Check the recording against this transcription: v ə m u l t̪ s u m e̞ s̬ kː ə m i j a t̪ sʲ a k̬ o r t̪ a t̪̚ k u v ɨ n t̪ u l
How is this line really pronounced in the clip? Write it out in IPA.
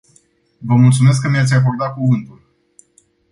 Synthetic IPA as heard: v ə m u l t̪ s u m e̞ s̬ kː ə m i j a t̪ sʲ a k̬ o r d̪ a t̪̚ k u v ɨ n t̪ u l